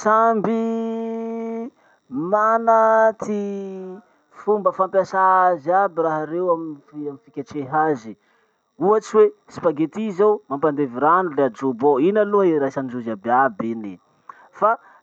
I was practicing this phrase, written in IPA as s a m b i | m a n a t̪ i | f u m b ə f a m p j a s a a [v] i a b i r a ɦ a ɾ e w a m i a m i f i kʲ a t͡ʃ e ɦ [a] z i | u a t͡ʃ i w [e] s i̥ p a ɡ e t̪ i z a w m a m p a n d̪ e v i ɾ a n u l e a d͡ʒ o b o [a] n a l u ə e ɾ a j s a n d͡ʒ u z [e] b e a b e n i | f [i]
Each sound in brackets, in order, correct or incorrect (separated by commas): incorrect, correct, correct, incorrect, incorrect, incorrect